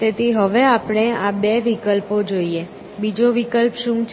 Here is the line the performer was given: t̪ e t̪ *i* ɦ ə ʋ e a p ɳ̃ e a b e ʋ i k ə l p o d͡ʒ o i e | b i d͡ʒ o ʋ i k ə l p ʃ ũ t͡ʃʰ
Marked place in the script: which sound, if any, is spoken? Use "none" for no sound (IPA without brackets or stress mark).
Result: i